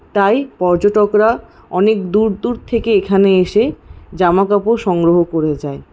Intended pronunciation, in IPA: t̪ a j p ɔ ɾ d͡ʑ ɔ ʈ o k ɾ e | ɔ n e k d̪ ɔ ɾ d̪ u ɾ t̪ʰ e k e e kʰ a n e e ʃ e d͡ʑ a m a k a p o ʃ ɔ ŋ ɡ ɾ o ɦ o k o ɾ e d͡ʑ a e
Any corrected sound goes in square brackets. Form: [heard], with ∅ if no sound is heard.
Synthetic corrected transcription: t̪ a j p ɔ ɾ d͡ʑ [o] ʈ o k ɾ [a] | ɔ n e k d̪ [u] ɾ d̪ u ɾ t̪ʰ e k e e kʰ a n e e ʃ e d͡ʑ a m a k a p o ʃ ɔ ŋ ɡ ɾ o ɦ o k o ɾ e d͡ʑ a e